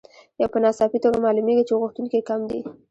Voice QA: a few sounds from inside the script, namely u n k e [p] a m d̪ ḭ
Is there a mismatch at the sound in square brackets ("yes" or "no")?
yes